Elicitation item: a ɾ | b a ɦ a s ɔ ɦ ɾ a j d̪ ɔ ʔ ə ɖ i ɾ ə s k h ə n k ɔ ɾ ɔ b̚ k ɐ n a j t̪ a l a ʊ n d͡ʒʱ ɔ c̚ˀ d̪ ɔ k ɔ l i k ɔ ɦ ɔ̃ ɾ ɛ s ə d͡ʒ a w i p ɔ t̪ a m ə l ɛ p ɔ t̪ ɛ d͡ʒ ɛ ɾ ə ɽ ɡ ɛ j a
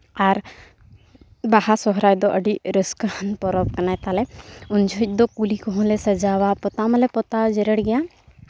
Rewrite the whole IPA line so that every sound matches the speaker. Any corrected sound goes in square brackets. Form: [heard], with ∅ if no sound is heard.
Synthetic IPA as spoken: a ɾ | b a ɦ a s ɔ ɦ ɾ a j d̪ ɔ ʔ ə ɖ i ɾ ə s k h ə n [p] ɔ ɾ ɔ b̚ k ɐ n a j t̪ a l [ɛ] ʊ n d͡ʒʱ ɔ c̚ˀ d̪ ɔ k [u] l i k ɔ ɦ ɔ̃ [l] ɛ s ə d͡ʒ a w [a] p ɔ t̪ a m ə l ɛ p ɔ t̪ [a] d͡ʒ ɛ ɾ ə ɽ ɡ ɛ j a